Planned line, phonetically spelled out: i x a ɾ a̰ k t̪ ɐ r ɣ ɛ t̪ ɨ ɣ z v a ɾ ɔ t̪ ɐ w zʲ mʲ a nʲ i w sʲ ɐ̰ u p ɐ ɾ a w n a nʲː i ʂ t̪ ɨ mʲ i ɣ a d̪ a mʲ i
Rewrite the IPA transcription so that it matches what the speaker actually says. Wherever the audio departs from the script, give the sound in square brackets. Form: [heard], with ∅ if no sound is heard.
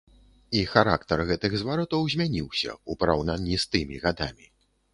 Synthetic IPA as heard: i x a ɾ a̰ k t̪ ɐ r ɣ ɛ t̪ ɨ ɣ z v a ɾ ɔ t̪ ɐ w zʲ mʲ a nʲ i w sʲ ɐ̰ u p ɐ ɾ a w n a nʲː i [s] t̪ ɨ mʲ i ɣ a d̪ a mʲ i